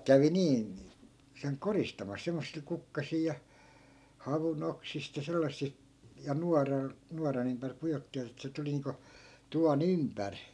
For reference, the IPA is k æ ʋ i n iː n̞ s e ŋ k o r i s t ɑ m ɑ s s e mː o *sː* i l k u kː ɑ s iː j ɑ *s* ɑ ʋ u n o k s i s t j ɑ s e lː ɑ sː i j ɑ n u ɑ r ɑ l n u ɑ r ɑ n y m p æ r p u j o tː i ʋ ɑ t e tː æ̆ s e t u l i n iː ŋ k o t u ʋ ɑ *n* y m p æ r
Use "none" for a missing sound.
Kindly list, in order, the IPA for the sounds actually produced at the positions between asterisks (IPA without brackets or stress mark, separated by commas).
sː, h, n